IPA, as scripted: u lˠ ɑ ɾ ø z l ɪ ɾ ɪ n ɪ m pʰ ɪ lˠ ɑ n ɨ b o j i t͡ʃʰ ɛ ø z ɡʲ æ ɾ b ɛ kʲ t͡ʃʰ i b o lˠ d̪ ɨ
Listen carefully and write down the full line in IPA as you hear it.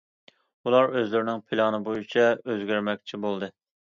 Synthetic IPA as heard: u lˠ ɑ ɾ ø z l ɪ ɾ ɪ n ɪ ŋ pʰ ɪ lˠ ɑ n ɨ b o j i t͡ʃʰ ɛ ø z ɡʲ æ ɾ m ɛ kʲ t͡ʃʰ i b o lˠ d̪ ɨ